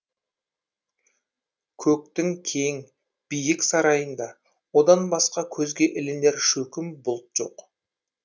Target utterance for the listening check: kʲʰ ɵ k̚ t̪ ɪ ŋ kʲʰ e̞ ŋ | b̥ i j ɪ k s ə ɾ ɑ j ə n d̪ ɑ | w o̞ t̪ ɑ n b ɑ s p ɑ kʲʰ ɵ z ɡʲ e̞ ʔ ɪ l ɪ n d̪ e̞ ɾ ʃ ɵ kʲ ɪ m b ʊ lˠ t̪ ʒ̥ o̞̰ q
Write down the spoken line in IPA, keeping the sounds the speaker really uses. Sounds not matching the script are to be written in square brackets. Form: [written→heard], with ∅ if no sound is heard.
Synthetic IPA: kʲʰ ɵ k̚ t̪ ɪ ŋ kʲʰ e̞ ŋ | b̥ i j ɪ k s [ə→ɑ] ɾ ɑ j ə n d̪ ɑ | w o̞ [t̪→d̪] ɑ n b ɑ s [p→q] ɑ kʲʰ ɵ z ɡʲ e̞ ʔ ɪ l ɪ n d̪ e̞ ɾ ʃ ɵ kʲ ɪ m b ʊ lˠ t̪ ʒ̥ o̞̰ q